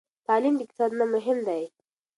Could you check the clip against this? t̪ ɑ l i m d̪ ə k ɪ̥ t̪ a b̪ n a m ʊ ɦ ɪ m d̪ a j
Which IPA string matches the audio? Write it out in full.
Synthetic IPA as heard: t̪ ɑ l i m d̪ ə k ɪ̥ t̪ ɑ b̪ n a m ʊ ɦ ɪ m d̪ a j